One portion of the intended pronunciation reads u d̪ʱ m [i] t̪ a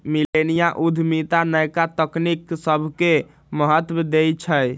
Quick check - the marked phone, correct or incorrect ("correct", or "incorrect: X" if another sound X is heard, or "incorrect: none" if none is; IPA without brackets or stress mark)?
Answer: correct